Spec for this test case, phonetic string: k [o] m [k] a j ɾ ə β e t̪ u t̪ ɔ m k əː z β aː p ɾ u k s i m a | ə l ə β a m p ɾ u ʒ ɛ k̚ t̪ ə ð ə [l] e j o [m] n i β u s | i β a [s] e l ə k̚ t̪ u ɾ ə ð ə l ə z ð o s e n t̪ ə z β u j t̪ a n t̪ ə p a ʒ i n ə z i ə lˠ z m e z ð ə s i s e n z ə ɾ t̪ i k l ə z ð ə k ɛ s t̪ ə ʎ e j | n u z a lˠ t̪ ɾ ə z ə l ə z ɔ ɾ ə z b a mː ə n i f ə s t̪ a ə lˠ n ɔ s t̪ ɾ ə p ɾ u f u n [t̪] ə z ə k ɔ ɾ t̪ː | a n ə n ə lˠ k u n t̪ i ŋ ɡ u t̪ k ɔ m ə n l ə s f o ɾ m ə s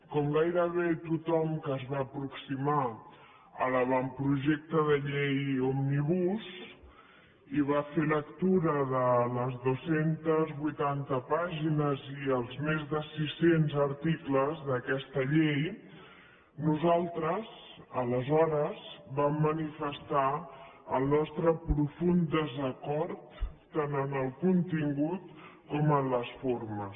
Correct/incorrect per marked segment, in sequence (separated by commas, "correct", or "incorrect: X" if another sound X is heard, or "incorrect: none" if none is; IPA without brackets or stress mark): incorrect: ɔ, incorrect: ɡ, incorrect: ʎ, correct, incorrect: f, incorrect: d̪